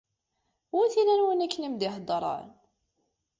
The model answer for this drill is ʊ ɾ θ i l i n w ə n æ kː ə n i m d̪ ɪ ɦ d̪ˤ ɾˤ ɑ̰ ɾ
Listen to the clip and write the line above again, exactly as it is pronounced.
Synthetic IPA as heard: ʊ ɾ θ i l æ n w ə n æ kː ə n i m d̪ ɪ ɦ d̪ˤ ɾˤ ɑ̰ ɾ